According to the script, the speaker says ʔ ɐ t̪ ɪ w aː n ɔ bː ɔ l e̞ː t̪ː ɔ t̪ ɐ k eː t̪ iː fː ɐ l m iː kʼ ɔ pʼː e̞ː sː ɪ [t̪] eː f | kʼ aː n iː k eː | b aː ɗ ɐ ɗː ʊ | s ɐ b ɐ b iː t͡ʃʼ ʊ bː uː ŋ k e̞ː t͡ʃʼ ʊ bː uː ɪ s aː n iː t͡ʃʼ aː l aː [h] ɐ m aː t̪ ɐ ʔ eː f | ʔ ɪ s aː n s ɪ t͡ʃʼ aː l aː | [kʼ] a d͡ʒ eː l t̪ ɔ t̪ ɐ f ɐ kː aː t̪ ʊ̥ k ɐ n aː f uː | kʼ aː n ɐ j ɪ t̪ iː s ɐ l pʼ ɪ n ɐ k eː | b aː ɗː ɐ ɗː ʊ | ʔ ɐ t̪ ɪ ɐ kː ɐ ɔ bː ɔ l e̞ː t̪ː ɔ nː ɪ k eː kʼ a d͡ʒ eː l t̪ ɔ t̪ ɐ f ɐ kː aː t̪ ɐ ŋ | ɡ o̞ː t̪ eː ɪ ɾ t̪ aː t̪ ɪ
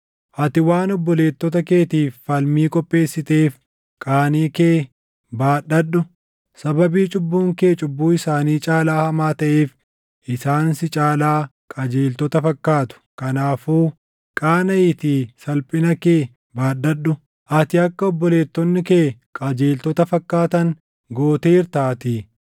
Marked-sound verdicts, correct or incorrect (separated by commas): correct, correct, correct